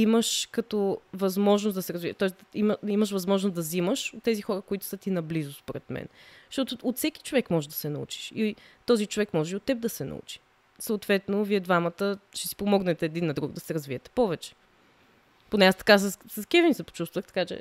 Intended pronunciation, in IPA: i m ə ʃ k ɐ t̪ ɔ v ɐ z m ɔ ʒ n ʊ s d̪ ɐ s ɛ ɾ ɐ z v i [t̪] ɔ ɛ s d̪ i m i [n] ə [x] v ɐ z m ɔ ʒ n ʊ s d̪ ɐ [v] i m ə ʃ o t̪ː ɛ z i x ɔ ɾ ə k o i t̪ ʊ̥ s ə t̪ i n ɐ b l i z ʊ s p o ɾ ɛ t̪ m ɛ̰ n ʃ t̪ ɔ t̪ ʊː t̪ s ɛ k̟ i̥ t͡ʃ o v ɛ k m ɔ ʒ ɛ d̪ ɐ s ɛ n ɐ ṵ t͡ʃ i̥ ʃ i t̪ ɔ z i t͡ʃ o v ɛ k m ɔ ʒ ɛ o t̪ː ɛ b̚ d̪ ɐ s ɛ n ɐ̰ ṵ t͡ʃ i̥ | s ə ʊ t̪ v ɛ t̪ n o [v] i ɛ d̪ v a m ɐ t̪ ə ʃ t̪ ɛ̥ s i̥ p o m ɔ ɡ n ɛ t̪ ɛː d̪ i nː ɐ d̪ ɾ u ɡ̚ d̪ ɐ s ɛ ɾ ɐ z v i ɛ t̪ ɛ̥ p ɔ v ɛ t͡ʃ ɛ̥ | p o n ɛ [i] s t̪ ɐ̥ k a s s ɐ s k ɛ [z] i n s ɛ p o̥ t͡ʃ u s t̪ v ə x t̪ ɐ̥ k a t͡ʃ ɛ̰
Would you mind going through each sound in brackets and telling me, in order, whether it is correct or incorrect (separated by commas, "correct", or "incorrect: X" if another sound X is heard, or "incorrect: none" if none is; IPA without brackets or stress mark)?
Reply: correct, incorrect: m, incorrect: ʃ, incorrect: z, correct, incorrect: a, incorrect: v